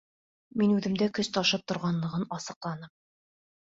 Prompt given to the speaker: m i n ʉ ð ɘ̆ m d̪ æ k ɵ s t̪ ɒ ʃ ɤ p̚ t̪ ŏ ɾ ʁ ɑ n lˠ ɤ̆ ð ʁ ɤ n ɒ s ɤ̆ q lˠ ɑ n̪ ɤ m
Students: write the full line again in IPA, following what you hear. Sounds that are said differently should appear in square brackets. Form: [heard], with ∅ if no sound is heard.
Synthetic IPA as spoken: m i n ʉ ð ɘ̆ m d̪ æ k ɵ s t̪ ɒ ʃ ɤ p̚ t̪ ŏ ɾ ʁ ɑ n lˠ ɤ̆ [∅] ʁ ɤ n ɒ s ɤ̆ q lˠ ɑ n̪ ɤ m